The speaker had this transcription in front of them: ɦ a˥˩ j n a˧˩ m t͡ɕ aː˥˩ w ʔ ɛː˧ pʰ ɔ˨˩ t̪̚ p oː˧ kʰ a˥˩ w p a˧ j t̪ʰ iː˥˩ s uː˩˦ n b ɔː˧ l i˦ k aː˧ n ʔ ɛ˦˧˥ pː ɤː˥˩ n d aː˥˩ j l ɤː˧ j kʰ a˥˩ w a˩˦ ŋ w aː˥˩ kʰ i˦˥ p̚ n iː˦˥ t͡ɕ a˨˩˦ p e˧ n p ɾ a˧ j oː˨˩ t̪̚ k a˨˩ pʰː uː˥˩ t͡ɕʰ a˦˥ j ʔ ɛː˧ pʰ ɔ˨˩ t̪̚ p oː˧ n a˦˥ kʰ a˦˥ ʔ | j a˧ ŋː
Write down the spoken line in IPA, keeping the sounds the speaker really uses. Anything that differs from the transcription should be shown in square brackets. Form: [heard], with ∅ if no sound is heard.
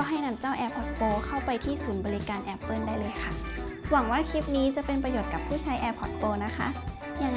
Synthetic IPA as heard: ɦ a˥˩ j n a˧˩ m t͡ɕ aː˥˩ w ʔ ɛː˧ pʰ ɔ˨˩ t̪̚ p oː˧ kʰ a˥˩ w p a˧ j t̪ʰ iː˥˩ s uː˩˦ n b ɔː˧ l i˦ k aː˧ n ʔ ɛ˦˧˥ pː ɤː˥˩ n d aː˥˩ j l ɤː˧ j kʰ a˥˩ w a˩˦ ŋ w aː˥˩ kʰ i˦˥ p̚ n iː˦˥ t͡ɕ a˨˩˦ p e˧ n p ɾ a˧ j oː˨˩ t̪̚ k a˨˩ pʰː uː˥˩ t͡ɕʰ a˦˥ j ʔ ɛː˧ pʰ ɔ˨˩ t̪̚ p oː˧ n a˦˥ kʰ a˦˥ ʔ | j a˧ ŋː